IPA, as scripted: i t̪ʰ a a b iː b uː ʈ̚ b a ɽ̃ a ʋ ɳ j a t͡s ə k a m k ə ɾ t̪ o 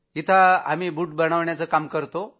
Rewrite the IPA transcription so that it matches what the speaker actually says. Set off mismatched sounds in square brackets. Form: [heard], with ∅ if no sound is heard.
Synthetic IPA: i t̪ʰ a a [m] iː b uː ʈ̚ b [ə] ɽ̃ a ʋ ɳ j a t͡s ə k a m k ə ɾ t̪ o